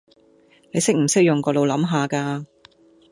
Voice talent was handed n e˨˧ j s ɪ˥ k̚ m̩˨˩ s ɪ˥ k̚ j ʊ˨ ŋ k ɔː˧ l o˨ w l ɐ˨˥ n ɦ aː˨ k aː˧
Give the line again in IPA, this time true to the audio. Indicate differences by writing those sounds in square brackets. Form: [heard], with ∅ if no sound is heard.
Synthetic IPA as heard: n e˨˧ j s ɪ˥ k̚ m̩˨˩ s ɪ˥ k̚ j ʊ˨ ŋ k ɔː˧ l o˨ w l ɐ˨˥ [m] ɦ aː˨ k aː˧